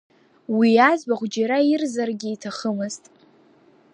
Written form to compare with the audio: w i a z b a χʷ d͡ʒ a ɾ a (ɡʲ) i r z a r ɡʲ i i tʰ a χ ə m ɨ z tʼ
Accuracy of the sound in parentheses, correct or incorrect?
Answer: incorrect